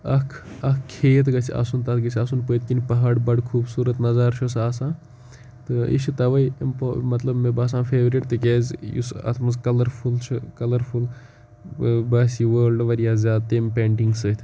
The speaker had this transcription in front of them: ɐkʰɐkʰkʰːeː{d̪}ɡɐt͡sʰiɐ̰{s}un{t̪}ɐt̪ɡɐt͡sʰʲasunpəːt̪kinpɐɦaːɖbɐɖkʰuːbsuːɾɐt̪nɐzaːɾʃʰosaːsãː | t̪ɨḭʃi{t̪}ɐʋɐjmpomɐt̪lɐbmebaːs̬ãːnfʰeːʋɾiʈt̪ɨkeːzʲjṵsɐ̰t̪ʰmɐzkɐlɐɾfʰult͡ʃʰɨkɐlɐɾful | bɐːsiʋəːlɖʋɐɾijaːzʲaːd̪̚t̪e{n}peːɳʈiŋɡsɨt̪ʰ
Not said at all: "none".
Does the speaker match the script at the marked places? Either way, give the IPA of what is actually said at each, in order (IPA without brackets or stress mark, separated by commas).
t̪, s, t̪, t̪, m